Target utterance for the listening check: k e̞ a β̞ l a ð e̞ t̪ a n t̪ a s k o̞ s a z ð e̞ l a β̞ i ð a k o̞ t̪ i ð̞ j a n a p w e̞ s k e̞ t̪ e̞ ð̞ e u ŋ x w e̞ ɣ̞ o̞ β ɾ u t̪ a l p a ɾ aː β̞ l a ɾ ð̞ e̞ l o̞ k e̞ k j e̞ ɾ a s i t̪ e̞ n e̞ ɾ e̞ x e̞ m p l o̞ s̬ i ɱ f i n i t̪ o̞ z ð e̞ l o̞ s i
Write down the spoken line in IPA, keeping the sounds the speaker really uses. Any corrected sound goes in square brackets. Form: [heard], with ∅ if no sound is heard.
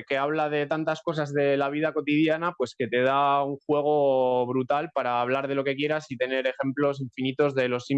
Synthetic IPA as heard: k e̞ a β̞ l a ð e̞ t̪ a n t̪ a s k o̞ s a z ð e̞ l a β̞ i ð a k o̞ t̪ i ð̞ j a n a p w e̞ s k e̞ t̪ e̞ ð̞ [a] u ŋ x w e̞ ɣ̞ o̞ β ɾ u t̪ a l p a ɾ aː β̞ l a ɾ ð̞ e̞ l o̞ k e̞ k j e̞ ɾ a s i t̪ e̞ n e̞ ɾ e̞ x e̞ m p l o̞ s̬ i ɱ f i n i t̪ o̞ z ð e̞ l o̞ s i